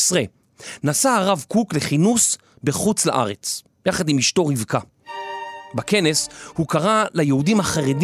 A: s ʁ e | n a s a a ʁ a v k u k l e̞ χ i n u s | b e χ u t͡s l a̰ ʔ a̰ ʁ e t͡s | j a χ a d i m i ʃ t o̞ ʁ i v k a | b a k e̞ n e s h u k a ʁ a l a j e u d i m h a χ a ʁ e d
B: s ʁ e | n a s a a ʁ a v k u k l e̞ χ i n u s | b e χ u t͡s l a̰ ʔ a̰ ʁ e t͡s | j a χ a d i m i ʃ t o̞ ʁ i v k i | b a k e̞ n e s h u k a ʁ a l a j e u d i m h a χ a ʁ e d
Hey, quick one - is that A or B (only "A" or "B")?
A